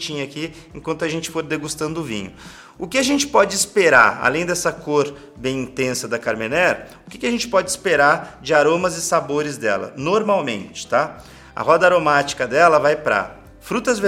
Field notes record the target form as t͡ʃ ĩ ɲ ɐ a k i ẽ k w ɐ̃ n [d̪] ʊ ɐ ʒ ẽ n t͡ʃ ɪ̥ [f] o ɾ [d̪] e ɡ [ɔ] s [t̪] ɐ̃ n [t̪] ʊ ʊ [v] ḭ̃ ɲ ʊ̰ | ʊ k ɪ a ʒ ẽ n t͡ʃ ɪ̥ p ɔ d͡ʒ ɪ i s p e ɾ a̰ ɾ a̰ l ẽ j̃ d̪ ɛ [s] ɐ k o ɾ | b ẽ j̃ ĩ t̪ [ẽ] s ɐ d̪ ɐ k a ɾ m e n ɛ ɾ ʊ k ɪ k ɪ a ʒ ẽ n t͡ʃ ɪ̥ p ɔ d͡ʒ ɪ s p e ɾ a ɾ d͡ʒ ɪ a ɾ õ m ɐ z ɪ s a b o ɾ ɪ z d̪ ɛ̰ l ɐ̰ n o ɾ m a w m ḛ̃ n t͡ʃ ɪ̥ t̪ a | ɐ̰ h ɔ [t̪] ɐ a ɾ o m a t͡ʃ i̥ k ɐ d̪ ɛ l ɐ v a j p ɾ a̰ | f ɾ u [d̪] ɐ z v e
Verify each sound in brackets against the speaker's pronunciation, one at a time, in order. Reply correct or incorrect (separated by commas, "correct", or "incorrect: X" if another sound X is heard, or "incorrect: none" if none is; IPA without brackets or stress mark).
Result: incorrect: t̪, correct, correct, incorrect: u, correct, incorrect: d̪, correct, correct, correct, incorrect: d̪, incorrect: t̪